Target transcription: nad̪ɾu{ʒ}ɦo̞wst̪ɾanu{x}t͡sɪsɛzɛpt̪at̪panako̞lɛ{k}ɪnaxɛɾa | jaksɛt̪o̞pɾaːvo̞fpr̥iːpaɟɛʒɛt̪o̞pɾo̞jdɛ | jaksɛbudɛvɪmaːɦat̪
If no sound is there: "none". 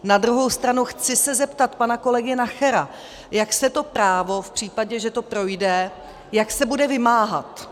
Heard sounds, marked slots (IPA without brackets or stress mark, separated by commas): none, x, ɡ